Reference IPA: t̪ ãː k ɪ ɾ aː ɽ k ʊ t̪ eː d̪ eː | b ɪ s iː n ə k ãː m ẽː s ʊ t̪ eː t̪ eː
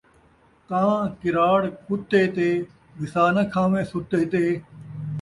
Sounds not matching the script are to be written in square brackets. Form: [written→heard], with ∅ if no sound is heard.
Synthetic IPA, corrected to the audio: t̪ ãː k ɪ ɾ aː ɽ k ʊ t̪ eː [d̪→t̪] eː | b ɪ s [iː→aː] n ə [k→kʰ] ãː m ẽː s ʊ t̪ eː t̪ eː